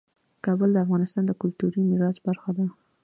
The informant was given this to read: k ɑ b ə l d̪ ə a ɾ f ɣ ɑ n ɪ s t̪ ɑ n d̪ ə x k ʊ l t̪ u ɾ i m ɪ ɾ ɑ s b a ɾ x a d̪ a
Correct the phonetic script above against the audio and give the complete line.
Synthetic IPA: k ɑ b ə l d̪ ə a f ɣ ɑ n ɪ s t̪ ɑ n d̪ ə k ʊ l t̪ u ɾ i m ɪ ɾ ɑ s b a ɾ x a d̪ a